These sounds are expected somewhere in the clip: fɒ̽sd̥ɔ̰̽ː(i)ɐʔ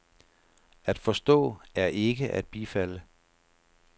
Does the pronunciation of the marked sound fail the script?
yes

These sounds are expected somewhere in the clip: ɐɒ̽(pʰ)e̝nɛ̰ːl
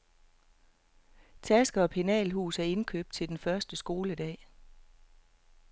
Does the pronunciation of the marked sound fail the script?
no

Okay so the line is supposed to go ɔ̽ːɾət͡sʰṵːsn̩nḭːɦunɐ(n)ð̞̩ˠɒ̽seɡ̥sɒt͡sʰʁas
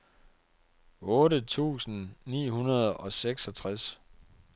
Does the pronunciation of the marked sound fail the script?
yes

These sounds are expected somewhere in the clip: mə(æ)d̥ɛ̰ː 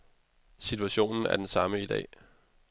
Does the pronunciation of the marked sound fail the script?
yes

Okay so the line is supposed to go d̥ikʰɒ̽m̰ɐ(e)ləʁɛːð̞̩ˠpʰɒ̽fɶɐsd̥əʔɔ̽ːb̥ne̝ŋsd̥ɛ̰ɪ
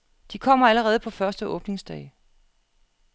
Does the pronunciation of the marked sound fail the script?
yes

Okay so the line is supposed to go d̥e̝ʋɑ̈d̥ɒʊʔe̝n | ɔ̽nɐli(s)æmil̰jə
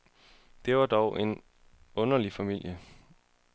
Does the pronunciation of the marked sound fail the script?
yes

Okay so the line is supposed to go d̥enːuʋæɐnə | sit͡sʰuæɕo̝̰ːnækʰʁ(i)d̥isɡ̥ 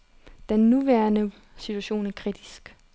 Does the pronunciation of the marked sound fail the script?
no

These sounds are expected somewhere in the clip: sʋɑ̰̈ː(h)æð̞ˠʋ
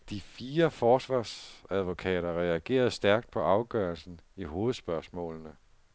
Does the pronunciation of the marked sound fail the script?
yes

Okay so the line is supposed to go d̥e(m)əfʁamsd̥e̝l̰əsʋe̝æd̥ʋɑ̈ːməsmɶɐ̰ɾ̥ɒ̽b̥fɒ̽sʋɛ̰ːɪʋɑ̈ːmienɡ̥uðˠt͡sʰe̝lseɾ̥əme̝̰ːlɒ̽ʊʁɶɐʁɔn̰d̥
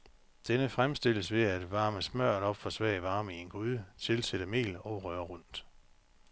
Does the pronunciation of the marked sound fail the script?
yes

